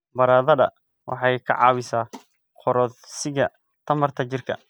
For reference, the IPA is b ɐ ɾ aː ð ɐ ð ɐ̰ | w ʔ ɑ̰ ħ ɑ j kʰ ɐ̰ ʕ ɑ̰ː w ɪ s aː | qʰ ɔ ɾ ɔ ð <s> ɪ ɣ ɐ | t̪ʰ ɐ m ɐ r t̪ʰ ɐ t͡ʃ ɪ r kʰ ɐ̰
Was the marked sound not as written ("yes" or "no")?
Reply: no